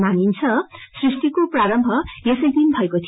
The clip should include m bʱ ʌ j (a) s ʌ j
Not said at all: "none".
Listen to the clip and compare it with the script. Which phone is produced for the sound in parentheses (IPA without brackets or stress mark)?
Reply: e